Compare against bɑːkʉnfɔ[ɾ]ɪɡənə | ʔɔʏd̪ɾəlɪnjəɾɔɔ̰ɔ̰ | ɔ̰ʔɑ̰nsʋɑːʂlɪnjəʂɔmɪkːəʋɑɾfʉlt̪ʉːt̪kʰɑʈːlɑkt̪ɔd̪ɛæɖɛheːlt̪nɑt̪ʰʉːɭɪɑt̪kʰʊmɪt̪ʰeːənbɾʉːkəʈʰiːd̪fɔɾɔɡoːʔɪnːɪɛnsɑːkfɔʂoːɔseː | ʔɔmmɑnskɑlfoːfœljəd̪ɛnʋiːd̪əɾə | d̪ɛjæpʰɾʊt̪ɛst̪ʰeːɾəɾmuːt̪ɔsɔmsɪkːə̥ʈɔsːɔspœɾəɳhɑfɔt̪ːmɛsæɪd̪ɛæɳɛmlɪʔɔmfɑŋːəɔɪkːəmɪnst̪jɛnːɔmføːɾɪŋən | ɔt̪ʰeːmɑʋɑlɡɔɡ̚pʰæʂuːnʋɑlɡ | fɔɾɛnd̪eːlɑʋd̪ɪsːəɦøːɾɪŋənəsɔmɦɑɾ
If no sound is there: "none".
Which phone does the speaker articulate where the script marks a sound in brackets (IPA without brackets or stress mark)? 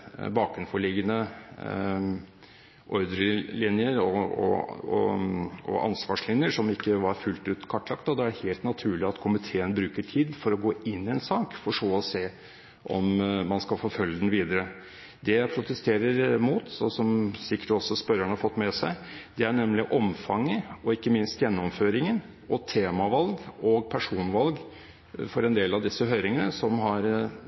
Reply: ɭ